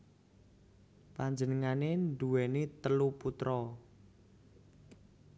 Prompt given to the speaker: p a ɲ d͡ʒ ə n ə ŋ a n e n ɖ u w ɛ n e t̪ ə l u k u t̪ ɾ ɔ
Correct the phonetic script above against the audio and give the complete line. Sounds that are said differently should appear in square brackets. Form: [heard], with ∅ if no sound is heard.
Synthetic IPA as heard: p a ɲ d͡ʒ ə n ə ŋ a n e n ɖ u w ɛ n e t̪ ə l u [p] u t̪ ɾ ɔ